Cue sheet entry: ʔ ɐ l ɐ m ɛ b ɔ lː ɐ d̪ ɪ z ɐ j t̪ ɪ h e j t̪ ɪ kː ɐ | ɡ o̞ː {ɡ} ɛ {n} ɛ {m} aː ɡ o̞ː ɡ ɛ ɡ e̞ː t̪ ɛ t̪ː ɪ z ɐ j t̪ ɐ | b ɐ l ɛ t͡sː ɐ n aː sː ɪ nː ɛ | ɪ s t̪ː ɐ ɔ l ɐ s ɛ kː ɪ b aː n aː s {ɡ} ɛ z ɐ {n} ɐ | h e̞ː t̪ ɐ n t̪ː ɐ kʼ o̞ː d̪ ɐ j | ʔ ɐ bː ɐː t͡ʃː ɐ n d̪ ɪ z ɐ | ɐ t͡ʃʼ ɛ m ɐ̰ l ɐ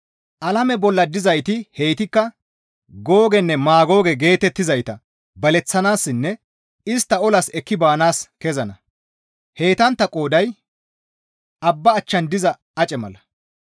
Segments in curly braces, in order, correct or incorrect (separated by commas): correct, incorrect, correct, incorrect, correct